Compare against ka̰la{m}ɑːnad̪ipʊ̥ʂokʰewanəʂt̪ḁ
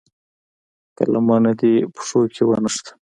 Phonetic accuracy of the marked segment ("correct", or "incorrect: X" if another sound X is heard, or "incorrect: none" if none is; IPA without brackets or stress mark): correct